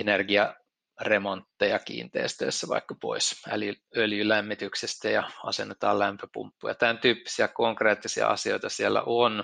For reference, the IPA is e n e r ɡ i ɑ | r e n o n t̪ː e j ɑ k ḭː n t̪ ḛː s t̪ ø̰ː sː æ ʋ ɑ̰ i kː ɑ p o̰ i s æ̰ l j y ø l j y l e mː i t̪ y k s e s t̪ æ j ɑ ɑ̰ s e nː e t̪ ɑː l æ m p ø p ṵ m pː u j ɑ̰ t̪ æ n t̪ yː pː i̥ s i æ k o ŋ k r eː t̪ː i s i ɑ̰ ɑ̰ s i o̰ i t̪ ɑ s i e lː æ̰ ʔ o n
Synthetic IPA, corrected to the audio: e n e r ɡ i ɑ | r e m o n t̪ː e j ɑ k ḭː n t̪ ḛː s t̪ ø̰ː sː æ ʋ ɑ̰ i kː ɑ p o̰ i s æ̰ l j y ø l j y l æ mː i t̪ y k s e s t̪ æ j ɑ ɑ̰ s e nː e t̪ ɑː l æ m p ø p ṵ m pː u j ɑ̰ t̪ æ n t̪ yː pː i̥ s i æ k o ŋ k r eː t̪ː i s i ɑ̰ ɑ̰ s i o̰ i t̪ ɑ s i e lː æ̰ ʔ o n